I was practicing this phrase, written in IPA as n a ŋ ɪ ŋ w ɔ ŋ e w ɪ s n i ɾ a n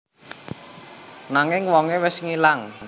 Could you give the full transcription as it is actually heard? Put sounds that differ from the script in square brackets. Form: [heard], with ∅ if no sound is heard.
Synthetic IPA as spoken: n a ŋ ɪ ŋ w ɔ ŋ e w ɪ s [ŋ] i [l] a [ŋ]